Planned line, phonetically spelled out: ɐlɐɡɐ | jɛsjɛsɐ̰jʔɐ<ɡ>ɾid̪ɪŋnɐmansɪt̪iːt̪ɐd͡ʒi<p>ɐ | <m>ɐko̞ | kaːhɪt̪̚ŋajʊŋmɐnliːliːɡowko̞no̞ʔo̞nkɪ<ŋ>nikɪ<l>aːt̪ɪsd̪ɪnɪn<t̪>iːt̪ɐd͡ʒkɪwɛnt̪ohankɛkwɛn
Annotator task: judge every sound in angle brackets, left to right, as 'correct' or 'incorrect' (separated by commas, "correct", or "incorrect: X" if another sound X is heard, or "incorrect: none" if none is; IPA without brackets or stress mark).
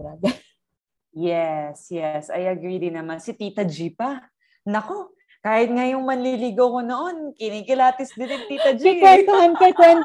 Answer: correct, correct, incorrect: n, incorrect: none, correct, correct